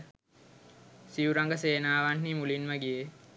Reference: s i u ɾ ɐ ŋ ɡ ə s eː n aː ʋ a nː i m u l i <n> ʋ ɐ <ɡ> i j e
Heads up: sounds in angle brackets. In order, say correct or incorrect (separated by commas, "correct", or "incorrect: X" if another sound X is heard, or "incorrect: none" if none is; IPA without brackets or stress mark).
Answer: correct, correct